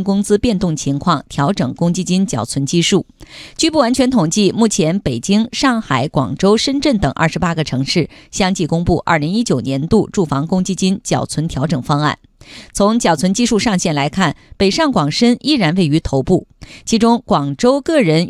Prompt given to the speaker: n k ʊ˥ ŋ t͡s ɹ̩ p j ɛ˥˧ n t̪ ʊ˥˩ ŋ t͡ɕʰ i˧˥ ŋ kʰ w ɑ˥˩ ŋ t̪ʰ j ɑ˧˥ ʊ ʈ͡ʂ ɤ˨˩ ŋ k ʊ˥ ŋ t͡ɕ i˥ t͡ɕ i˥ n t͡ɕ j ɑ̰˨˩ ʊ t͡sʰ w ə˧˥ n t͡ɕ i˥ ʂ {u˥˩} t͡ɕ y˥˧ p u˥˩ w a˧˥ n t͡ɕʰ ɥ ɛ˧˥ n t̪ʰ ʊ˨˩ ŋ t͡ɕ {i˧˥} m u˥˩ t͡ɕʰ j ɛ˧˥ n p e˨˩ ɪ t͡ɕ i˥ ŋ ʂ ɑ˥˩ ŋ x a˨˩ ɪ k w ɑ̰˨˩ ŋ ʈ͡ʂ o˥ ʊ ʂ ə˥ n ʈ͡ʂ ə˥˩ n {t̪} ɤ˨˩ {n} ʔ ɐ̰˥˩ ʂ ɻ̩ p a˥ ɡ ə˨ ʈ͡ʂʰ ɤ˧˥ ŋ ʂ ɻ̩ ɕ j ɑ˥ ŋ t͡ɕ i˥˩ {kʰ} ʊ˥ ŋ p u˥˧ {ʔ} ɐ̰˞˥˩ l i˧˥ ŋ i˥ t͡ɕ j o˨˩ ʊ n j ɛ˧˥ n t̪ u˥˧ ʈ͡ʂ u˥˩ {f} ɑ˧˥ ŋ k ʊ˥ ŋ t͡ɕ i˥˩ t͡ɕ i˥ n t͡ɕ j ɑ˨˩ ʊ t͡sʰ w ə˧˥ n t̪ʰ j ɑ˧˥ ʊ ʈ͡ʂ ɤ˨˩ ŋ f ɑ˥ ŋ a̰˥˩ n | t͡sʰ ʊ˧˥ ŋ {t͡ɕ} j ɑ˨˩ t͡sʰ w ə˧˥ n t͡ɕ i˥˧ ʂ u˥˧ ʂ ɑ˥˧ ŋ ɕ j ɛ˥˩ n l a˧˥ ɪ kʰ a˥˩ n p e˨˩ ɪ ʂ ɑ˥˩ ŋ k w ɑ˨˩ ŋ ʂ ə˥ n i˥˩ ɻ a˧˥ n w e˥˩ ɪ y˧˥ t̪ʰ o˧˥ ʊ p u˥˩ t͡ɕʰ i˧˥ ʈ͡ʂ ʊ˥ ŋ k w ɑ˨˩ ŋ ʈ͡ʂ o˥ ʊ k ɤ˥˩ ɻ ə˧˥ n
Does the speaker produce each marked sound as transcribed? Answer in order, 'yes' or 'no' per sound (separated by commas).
yes, no, yes, no, no, yes, yes, yes